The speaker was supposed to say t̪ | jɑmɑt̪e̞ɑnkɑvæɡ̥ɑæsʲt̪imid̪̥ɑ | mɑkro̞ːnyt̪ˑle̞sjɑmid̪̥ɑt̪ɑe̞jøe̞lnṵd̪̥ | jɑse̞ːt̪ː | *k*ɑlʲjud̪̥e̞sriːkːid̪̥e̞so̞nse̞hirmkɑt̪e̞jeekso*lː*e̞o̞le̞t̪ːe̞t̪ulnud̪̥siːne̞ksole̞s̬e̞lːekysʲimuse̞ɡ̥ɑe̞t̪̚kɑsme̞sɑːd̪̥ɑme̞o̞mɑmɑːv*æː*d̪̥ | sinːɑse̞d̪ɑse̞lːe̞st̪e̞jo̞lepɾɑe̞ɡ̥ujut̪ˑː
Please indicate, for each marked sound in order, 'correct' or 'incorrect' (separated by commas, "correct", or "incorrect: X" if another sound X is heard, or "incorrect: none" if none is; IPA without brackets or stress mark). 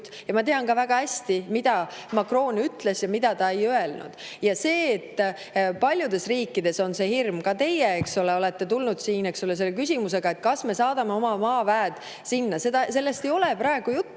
incorrect: p, incorrect: l, correct